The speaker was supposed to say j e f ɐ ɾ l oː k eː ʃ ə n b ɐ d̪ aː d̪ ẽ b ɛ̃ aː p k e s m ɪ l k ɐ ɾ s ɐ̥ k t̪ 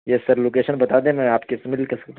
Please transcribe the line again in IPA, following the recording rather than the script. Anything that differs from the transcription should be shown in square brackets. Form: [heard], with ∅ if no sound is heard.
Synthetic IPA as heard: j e [s] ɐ ɾ l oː k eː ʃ ə n b ɐ [t̪] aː d̪ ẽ [m] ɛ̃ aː p k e s m ɪ l k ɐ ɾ s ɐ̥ k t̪